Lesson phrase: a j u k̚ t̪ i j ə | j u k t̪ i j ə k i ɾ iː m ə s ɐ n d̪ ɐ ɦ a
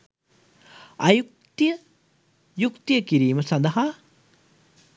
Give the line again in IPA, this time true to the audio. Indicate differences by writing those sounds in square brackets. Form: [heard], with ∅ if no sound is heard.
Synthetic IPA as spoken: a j u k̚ t̪ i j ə | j u k t̪ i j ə k i ɾ iː m ə s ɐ n d̪ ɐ ɦ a